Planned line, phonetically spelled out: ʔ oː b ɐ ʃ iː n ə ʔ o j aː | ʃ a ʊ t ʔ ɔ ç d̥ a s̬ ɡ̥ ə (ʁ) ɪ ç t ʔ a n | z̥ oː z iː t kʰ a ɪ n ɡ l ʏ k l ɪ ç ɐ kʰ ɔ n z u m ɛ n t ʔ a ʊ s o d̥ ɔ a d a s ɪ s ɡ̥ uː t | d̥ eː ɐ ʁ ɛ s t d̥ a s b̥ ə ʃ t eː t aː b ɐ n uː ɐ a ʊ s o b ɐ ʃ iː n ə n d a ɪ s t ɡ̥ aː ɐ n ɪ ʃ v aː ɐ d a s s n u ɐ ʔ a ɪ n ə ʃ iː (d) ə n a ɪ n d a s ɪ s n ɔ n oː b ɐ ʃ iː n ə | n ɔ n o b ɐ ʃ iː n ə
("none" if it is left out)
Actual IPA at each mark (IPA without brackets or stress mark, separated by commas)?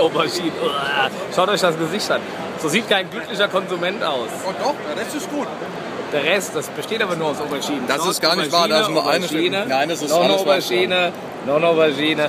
z, n